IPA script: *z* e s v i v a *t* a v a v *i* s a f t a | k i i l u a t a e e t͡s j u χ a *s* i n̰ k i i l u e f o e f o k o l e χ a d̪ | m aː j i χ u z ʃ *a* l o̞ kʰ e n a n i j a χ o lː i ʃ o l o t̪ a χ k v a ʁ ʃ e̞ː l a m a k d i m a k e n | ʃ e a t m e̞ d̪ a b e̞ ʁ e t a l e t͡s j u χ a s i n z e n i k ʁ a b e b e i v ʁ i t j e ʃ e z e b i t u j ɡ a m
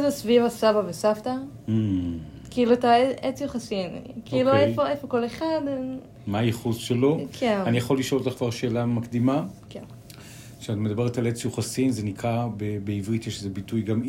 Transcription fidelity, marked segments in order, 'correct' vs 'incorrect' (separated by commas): correct, incorrect, incorrect, correct, incorrect